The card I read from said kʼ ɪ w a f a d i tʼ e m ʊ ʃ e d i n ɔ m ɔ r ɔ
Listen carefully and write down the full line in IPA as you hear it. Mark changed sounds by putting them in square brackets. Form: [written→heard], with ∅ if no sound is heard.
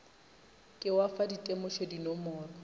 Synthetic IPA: kʼ ɪ w a f a d i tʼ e m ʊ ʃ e d i n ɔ m [ɔ→ɔː] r ɔ